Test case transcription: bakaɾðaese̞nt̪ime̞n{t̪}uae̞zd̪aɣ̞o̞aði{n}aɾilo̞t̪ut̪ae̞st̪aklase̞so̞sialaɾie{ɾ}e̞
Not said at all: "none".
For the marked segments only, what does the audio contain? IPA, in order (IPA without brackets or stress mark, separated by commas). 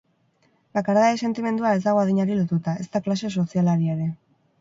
d̪, ɲ, ɾ